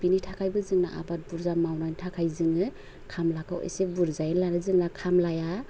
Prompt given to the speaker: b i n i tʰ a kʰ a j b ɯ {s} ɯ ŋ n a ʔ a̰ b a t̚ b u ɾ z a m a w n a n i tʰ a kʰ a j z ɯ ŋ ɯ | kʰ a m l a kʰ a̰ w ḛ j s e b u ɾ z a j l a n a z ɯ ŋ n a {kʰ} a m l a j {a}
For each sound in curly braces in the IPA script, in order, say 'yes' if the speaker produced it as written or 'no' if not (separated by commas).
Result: no, yes, yes